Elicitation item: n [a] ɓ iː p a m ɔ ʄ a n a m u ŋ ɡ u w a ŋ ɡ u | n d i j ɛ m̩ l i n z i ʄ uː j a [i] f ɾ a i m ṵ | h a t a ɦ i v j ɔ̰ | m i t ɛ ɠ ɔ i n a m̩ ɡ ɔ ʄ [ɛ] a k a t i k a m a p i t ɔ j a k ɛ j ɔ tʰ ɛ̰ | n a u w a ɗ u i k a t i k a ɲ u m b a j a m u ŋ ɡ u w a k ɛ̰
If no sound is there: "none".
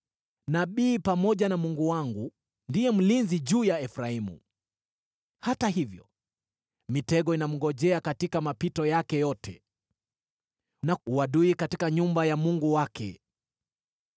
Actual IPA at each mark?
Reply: a, ɛ, ɛ

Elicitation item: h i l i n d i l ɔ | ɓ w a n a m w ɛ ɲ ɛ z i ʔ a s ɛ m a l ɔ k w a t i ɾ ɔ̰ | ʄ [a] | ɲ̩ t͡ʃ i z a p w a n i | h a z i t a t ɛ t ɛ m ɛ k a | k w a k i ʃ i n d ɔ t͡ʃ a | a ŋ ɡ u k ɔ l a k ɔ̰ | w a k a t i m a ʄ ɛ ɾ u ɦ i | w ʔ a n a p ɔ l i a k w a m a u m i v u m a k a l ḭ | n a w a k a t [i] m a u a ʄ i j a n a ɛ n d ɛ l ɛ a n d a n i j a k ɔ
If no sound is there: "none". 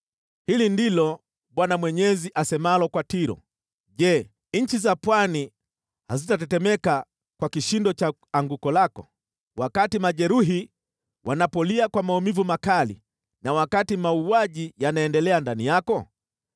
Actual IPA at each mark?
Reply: ɛ, i

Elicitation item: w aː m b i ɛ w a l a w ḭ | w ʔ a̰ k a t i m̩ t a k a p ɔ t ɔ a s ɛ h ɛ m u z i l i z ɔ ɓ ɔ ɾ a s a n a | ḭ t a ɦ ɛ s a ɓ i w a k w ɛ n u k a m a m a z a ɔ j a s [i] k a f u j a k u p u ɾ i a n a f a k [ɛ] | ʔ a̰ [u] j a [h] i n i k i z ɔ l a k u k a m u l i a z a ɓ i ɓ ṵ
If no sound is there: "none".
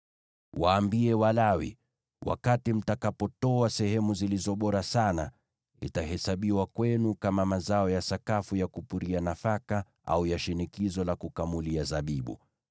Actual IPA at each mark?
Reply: a, a, u, ʃ

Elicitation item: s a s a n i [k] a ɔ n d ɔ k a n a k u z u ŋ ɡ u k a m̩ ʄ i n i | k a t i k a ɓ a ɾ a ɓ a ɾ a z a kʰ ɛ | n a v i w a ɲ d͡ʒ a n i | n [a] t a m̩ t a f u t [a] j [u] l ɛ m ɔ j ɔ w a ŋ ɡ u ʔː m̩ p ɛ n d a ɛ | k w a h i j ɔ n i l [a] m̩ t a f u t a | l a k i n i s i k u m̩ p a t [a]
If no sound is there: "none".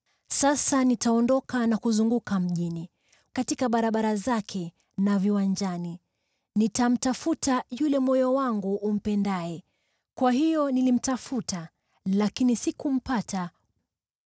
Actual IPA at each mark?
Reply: t, i, a, u, i, a

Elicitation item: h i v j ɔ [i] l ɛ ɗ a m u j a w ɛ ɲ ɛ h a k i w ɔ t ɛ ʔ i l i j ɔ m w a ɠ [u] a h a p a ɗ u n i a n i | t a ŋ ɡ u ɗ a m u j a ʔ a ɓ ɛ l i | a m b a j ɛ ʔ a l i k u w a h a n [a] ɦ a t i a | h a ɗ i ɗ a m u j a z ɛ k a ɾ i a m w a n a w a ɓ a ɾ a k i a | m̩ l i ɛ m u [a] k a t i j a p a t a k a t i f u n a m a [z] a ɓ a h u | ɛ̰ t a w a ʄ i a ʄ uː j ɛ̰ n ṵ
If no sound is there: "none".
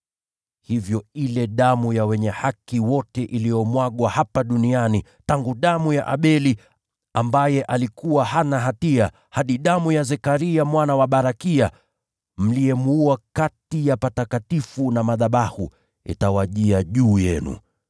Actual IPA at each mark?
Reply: i, w, a, a, ð

